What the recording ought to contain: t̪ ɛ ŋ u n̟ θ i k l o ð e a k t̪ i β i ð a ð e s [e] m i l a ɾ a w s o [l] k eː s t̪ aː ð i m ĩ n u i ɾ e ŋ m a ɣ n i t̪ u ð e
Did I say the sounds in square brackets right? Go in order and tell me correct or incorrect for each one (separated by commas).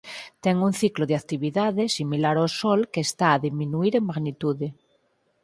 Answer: incorrect, correct